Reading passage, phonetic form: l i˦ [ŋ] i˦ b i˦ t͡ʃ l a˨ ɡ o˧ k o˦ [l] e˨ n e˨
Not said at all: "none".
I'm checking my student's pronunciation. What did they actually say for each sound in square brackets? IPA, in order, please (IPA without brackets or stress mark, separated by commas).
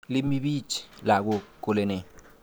m, l